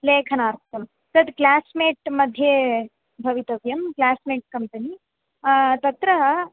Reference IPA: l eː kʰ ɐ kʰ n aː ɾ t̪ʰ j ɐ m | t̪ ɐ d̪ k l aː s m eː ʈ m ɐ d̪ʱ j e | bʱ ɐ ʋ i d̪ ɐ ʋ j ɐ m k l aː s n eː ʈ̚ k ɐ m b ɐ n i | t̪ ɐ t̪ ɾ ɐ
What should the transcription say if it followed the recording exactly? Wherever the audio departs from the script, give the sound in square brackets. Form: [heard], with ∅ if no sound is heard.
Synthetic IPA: l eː kʰ ɐ [∅] n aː ɾ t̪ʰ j ɐ m | t̪ ɐ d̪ k l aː s m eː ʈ m ɐ d̪ʱ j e | bʱ ɐ ʋ i [t̪] ɐ ʋ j ɐ m k l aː s [m] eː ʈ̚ k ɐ m [p] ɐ n i | t̪ ɐ t̪ ɾ ɐ